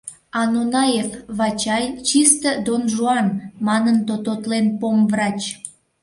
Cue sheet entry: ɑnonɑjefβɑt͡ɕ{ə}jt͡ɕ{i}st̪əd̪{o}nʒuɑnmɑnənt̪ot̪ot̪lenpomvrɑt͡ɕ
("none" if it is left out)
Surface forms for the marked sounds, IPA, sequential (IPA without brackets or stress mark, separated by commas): ɑ, i, o